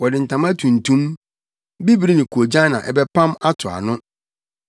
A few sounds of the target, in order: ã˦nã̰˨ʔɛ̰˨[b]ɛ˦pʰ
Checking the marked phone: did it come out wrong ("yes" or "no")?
no